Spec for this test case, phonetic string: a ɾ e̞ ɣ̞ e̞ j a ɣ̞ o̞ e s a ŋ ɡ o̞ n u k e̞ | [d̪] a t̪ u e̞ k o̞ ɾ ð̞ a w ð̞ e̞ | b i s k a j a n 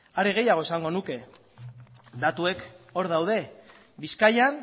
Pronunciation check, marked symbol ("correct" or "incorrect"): correct